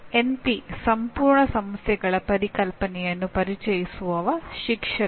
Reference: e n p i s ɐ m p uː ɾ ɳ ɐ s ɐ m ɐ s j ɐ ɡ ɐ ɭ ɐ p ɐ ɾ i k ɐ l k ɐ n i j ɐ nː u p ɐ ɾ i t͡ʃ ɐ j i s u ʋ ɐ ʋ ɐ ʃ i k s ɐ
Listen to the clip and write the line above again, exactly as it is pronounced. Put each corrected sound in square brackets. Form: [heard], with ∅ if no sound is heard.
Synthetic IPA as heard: e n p i s ɐ m p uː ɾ ɳ ɐ s ɐ m ɐ s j ɐ ɡ ɐ ɭ ɐ p ɐ ɾ i k ɐ l [p] ɐ n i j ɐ nː u p ɐ ɾ i t͡ʃ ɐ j i s u ʋ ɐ ʋ ɐ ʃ i k [ʂ] ɐ

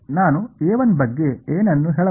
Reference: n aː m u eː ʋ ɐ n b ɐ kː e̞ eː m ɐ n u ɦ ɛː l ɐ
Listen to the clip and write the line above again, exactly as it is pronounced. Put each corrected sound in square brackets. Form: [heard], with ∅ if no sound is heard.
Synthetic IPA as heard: n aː [n] u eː ʋ ɐ n b ɐ [ɡː] e̞ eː [n] ɐ [nː] u ɦ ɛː [ɭ] ɐ

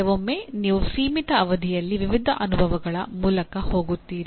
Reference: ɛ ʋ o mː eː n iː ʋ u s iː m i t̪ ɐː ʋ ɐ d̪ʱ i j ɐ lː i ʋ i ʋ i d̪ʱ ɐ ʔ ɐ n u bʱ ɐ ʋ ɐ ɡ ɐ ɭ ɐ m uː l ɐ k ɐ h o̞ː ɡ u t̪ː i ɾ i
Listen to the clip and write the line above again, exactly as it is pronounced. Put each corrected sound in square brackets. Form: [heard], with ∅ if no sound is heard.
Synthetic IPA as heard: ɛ ʋ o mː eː n iː ʋ u s iː m i t̪ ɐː ʋ ɐ d̪ʱ i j ɐ lː i ʋ i ʋ i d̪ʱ ɐ ʔ ɐ n u bʱ ɐ ʋ ɐ ɡ ɐ ɭ ɐ m uː l ɐ k ɐ h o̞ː ɡ u t̪ː [iː] ɾ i

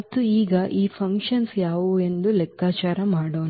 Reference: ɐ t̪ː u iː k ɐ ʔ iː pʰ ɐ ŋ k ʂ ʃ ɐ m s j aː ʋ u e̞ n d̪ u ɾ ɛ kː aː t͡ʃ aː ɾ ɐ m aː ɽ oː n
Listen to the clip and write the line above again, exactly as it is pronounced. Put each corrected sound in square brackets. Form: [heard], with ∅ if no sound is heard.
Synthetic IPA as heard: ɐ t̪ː u iː [ɡ] ɐ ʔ iː pʰ ɐ ŋ k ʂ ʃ ɐ [n] s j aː ʋ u e̞ n d̪ u [l] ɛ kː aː t͡ʃ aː ɾ ɐ m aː ɽ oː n

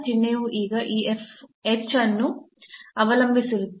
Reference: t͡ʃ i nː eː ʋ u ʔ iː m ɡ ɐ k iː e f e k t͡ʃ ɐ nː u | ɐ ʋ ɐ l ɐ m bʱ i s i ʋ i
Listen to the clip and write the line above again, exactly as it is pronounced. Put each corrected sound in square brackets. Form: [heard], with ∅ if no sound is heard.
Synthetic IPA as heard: t͡ʃ i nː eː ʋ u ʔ iː [∅] ɡ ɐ [ʔ] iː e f e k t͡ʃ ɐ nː u | ɐ ʋ ɐ l ɐ m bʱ i s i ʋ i

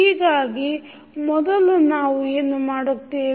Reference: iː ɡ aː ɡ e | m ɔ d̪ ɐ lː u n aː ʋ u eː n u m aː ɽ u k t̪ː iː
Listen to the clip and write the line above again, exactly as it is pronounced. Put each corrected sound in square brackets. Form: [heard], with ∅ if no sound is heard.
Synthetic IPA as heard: iː ɡ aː ɡ [i] | m ɔ d̪ ɐ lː u n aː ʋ u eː n u m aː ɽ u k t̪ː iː

